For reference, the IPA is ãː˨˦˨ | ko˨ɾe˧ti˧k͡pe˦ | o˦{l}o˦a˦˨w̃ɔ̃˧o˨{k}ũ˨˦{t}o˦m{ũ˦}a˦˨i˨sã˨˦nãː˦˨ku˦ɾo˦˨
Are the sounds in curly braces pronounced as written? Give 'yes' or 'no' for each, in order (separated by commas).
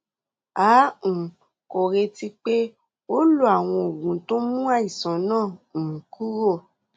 yes, no, yes, yes